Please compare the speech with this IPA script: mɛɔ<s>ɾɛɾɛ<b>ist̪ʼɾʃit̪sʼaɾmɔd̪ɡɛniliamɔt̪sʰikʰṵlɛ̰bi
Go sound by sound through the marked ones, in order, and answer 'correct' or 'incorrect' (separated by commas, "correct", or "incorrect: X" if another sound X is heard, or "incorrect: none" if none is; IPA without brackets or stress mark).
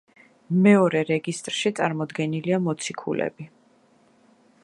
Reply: incorrect: none, incorrect: ɡ